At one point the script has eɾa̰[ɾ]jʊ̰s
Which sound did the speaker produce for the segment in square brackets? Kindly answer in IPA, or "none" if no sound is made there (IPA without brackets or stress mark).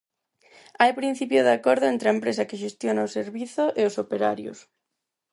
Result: ɾ